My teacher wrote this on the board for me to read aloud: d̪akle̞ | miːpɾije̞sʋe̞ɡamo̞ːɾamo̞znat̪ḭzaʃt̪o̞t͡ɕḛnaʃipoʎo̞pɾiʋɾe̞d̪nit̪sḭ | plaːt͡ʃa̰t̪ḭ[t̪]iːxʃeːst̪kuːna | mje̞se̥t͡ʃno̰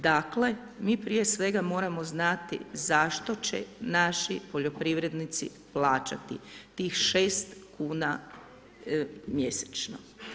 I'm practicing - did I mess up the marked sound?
no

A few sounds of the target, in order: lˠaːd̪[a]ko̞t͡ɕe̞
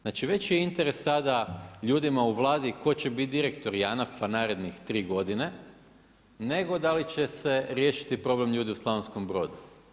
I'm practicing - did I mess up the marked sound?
yes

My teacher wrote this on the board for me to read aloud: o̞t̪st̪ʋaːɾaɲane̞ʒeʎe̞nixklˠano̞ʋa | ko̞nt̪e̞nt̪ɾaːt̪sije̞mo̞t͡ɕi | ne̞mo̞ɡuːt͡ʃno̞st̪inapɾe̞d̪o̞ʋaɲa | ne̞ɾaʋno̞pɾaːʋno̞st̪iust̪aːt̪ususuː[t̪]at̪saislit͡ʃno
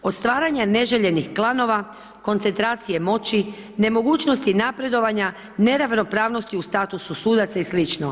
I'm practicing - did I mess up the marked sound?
yes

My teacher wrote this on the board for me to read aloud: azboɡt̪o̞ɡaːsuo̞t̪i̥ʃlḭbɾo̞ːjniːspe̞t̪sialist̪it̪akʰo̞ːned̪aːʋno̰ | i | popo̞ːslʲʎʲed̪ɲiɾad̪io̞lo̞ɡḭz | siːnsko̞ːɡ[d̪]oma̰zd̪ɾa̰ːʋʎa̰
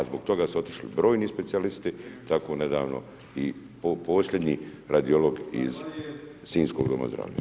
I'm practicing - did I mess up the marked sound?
no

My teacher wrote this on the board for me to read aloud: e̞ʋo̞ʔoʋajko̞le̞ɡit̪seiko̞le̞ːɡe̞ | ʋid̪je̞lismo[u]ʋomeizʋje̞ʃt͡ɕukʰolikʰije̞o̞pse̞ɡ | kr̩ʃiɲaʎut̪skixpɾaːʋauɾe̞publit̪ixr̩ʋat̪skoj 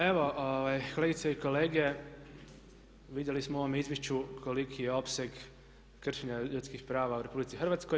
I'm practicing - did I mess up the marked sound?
yes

